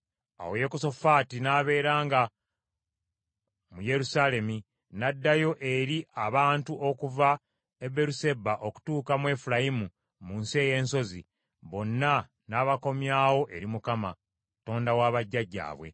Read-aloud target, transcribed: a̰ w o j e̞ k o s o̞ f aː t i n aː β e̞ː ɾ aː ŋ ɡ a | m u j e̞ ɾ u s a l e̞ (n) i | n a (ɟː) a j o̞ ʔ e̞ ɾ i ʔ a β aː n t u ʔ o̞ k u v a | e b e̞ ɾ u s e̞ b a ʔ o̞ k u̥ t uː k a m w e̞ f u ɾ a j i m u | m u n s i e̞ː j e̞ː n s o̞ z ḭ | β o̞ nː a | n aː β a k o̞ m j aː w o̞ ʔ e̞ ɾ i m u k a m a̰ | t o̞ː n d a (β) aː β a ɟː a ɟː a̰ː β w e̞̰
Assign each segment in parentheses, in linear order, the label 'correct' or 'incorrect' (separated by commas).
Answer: incorrect, incorrect, incorrect